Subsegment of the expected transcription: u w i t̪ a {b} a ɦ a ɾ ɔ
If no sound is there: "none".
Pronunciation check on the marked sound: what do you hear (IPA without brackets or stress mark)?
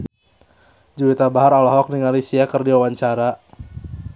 b